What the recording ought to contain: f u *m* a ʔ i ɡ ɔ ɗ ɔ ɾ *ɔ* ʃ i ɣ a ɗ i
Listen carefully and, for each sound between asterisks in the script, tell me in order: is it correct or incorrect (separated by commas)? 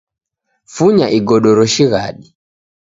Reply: incorrect, correct